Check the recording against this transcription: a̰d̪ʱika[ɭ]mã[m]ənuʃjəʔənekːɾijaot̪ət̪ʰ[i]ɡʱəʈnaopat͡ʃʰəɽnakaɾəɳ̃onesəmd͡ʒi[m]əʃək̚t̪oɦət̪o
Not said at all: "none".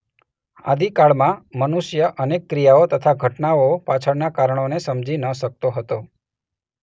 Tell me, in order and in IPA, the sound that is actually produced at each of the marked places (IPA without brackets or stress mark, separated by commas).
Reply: ɭ, m, a, n